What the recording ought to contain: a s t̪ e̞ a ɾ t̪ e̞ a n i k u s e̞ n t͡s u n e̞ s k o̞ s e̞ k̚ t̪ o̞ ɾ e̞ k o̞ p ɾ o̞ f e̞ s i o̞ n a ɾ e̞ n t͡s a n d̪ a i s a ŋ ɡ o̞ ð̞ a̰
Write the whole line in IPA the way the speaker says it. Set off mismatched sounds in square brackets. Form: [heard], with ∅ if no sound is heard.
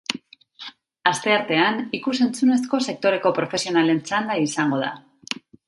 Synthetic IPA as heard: a s t̪ e̞ a ɾ t̪ e̞ a n i k u s e̞ n t͡s u n e̞ s k o̞ s e̞ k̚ t̪ o̞ ɾ e̞ k o̞ p ɾ o̞ f e̞ s i o̞ n a [l] e̞ n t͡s a n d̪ a i s a ŋ ɡ o̞ ð̞ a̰